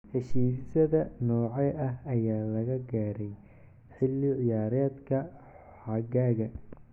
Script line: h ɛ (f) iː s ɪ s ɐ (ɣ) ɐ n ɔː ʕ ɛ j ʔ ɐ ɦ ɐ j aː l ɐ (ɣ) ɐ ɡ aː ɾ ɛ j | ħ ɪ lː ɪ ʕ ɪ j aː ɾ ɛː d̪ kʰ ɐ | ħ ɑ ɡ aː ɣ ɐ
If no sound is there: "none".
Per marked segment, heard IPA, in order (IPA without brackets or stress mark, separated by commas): ʃ, ð, ɣ